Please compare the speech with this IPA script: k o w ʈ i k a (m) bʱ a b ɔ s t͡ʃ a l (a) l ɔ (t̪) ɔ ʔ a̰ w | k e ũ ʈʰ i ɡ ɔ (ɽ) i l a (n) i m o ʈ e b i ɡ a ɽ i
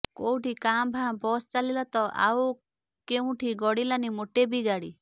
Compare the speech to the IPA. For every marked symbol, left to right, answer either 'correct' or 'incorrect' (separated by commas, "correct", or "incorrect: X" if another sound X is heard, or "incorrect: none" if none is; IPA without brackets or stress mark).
correct, incorrect: i, correct, correct, correct